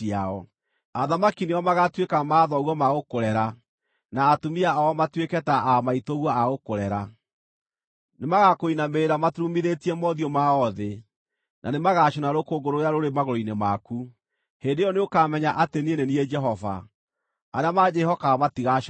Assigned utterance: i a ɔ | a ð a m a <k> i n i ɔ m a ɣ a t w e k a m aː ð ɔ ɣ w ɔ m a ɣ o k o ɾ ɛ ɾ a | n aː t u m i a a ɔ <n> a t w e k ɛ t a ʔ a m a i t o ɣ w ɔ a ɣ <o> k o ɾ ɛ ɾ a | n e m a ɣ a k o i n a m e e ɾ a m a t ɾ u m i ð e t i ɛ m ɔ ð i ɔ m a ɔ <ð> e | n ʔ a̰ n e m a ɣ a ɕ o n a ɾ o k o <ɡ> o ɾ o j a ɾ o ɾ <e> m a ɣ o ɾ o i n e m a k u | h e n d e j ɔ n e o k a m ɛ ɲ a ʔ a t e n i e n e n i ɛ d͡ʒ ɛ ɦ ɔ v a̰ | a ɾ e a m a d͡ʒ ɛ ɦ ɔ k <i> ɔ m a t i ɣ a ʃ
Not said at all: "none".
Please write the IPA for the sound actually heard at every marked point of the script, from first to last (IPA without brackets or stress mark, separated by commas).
k, m, o, ð, ɡ, e, a